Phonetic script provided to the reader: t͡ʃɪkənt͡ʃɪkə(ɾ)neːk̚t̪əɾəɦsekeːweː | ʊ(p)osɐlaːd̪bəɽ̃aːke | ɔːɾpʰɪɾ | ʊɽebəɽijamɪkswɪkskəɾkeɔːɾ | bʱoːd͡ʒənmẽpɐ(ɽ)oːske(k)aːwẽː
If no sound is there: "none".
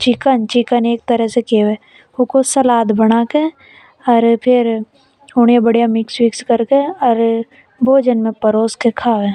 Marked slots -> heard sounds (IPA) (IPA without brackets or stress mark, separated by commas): none, k, ɾ, kʰ